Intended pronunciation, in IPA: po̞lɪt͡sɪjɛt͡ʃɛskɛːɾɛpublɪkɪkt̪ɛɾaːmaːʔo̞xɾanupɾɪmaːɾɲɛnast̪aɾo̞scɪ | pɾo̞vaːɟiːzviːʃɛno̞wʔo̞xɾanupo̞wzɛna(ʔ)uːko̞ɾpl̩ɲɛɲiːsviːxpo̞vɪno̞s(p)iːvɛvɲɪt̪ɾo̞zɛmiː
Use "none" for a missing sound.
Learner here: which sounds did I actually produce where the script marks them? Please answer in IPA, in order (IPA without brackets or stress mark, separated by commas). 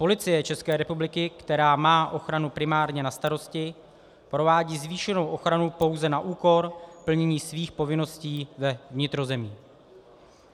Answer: ʔ, c